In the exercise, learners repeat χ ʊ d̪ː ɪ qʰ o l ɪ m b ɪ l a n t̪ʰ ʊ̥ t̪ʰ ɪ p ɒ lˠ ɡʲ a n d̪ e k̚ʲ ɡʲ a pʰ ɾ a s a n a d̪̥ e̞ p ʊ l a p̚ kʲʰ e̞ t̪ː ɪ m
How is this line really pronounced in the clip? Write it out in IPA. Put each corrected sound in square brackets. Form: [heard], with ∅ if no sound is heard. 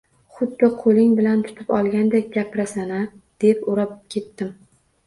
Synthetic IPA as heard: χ ʊ d̪ː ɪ qʰ o l ɪ [ŋ] b ɪ l a n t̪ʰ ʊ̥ t̪ʰ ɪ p ɒ lˠ ɡʲ a n d̪ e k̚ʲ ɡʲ a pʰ ɾ a s a n a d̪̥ e̞ p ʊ [ɾ] a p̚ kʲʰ e̞ t̪ː ɪ m